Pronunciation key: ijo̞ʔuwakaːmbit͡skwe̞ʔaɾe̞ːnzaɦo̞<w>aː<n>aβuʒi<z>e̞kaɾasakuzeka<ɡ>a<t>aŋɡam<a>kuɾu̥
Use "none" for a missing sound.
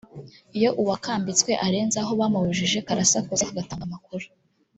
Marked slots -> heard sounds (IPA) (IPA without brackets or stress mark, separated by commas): β, m, ʒ, ɡ, t, a